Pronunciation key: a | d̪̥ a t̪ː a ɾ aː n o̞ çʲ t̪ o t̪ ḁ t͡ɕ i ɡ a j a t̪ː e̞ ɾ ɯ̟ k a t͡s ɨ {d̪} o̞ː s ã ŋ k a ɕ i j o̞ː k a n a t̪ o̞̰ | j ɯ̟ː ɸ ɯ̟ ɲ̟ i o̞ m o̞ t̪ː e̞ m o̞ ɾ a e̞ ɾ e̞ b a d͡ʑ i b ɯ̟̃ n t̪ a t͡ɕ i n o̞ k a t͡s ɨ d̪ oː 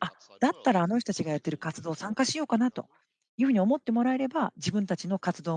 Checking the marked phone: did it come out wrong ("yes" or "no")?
no